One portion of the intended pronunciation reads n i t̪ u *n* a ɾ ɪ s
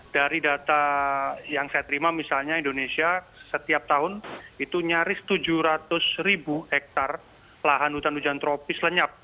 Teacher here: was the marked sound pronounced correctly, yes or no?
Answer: no